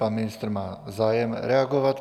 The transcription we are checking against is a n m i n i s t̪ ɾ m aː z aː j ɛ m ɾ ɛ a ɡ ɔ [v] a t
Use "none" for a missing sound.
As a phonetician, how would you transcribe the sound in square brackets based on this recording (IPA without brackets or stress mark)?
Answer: ʋ